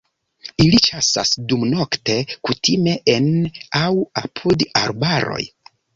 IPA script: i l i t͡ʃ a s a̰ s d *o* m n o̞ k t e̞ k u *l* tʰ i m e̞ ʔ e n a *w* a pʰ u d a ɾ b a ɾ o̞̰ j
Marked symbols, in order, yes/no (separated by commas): no, no, yes